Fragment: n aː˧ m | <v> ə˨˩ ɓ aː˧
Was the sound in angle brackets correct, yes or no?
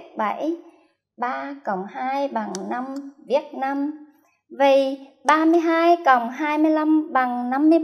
yes